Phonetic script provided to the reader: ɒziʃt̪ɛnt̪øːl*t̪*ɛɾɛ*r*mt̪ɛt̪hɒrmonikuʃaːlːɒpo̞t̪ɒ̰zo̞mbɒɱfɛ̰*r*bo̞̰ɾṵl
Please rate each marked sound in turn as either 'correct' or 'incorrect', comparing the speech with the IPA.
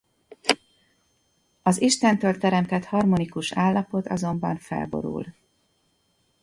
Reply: correct, incorrect: none, incorrect: l

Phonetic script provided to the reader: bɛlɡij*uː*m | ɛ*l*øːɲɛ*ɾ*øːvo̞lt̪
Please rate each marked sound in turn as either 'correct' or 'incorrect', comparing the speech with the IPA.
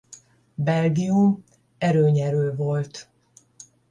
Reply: incorrect: u, incorrect: ɾ, correct

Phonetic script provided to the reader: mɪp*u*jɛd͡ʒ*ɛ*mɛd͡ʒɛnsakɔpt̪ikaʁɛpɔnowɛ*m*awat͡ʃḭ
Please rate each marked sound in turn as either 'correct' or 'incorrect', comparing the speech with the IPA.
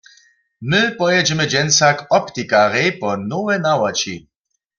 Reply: incorrect: ɔ, correct, incorrect: n

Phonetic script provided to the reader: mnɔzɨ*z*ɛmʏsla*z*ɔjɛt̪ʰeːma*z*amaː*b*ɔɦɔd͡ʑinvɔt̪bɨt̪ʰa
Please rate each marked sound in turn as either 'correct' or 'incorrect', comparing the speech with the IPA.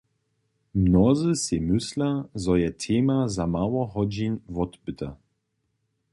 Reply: incorrect: s, correct, correct, incorrect: w

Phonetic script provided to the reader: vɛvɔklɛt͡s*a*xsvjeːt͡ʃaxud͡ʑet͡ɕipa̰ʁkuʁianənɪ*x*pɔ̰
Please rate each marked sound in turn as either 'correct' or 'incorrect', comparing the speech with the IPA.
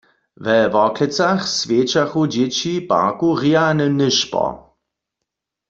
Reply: correct, incorrect: ʃ

